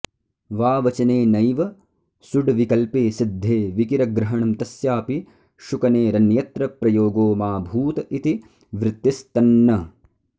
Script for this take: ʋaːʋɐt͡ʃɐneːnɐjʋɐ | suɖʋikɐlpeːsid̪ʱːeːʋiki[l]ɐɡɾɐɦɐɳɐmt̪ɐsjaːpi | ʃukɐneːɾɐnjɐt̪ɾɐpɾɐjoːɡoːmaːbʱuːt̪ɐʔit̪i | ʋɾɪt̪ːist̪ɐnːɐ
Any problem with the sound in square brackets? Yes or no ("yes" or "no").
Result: yes